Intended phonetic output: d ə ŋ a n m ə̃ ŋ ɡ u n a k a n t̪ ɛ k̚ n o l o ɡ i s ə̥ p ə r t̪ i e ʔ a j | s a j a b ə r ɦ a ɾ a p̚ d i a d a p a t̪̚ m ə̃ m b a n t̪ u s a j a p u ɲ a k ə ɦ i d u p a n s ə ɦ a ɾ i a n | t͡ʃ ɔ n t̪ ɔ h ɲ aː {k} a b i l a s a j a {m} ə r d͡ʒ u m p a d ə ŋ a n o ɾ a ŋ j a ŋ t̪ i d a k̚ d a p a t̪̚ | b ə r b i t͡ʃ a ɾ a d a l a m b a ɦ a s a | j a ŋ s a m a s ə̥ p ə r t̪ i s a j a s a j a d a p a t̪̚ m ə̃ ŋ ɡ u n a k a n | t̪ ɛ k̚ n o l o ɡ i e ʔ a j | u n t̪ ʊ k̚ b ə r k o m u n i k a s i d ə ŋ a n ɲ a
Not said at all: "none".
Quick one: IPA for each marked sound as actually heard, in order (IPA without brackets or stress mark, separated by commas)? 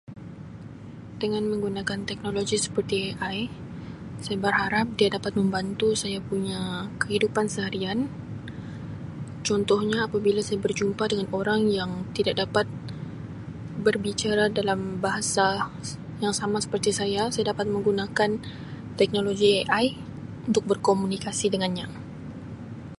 p, b